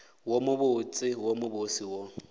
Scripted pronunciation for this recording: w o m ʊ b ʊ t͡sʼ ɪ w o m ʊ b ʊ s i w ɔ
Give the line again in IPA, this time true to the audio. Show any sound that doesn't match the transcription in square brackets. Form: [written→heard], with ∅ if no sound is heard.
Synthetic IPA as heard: w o m ʊ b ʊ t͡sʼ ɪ w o m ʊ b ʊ s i w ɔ